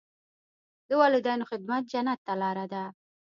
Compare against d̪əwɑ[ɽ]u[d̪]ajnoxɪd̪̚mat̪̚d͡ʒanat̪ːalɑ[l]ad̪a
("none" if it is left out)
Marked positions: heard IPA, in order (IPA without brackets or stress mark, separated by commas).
l, d̪, ɾ